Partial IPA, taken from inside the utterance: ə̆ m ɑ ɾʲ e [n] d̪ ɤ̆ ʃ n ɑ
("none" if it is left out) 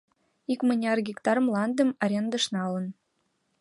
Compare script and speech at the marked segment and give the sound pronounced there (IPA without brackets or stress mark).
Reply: n